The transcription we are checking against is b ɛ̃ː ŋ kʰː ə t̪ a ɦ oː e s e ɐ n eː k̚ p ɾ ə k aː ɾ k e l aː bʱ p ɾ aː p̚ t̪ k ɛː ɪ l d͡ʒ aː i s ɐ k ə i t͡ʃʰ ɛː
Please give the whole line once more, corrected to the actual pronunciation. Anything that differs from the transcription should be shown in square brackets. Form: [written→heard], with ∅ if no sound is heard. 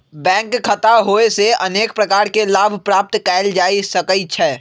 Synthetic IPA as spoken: b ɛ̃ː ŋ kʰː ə t̪ a ɦ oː e s e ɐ n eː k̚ p ɾ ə k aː ɾ k e l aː bʱ p ɾ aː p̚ t̪ k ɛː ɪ l d͡ʒ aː i s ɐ k ə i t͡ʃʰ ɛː